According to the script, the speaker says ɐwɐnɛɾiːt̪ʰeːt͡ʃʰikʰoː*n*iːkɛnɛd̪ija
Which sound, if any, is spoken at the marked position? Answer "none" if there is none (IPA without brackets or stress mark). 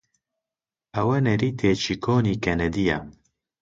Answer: n